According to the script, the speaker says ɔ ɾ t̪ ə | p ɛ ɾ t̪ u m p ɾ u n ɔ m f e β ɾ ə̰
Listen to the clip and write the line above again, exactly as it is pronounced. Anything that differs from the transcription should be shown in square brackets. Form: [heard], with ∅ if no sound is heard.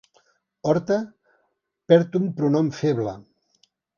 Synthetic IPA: ɔ ɾ t̪ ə | p ɛ ɾ t̪ u m p ɾ u n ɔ m f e β [l] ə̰